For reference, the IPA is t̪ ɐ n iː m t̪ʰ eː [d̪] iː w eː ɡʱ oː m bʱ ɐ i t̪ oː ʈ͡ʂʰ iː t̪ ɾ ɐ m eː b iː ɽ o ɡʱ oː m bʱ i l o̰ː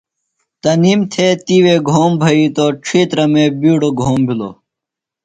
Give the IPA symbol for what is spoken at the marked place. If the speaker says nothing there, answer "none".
t̪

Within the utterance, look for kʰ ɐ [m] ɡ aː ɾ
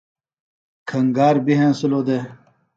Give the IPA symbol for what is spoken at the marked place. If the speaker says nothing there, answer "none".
ŋ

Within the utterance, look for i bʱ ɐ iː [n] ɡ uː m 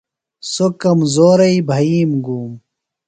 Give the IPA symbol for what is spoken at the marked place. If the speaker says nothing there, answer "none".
m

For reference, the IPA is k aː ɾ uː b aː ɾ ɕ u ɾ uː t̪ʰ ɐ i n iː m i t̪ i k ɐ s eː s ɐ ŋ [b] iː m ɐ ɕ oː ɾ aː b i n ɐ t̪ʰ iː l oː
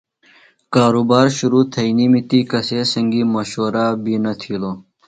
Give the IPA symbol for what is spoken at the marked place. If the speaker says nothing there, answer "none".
ɡ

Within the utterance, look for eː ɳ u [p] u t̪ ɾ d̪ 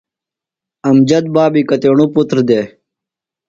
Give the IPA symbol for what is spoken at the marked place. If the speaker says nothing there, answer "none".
p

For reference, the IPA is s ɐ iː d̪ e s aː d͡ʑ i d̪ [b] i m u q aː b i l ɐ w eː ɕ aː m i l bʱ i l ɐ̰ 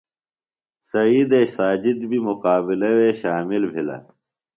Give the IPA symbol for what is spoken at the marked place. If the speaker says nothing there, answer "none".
b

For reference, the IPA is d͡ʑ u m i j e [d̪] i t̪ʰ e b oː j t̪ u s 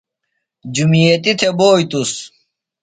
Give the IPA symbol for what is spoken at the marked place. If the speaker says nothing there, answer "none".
t̪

